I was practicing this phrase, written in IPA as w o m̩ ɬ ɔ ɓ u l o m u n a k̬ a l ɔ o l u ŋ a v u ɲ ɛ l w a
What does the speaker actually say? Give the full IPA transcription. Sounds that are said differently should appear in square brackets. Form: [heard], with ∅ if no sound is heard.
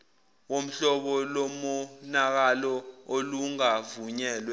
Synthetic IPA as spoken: w o m̩ ɬ ɔ ɓ [ɔ] l o m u n a k̬ a l ɔ o l u ŋ a v u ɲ [ɛː] l w [ɛ]

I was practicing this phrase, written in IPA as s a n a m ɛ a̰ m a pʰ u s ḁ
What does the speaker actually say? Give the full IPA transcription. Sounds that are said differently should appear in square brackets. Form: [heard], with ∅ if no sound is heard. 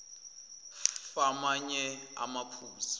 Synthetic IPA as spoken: [f] a [m] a [ɲ] ɛ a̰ m a pʰ [uː] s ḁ

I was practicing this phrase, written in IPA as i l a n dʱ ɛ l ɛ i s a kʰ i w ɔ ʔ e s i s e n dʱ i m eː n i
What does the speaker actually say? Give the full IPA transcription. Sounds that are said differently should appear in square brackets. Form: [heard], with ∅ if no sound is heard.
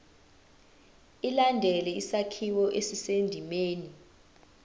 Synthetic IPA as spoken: i l a n dʱ ɛ l ɛ i s a kʰ i w ɔ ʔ e s i s e n dʱ i m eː n i

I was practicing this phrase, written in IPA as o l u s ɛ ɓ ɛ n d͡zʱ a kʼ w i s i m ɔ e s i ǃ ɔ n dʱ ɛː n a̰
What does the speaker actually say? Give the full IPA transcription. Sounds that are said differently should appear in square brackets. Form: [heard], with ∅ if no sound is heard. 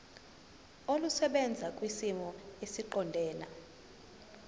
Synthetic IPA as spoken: o l u s ɛ ɓ ɛ n d͡zʱ a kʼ w i s i m ɔ e s i ǃ ɔ n dʱ ɛː n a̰

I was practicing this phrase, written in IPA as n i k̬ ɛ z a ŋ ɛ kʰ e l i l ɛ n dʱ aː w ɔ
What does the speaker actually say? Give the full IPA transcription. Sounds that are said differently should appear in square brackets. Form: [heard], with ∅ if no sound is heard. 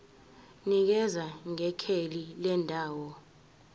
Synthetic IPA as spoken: n i k̬ ɛ z a ŋ ɛ kʰ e l i l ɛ n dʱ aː w ɔ

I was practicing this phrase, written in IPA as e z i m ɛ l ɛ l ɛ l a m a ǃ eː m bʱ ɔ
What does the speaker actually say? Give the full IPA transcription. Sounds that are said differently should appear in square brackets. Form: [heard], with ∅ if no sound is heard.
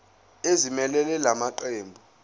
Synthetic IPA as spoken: e z i m ɛ l ɛ l ɛ l a m a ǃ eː m bʱ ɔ

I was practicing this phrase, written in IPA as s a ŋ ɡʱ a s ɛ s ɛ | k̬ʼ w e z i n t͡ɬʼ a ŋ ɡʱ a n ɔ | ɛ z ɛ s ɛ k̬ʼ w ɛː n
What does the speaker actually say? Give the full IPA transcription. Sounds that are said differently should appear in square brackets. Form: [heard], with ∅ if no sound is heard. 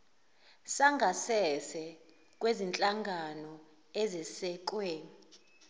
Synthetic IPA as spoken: s a ŋ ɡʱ a s ɛ s ɛ | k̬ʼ w e z i n t͡ɬʼ a ŋ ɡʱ a n ɔ | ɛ z ɛ s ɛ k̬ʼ w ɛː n

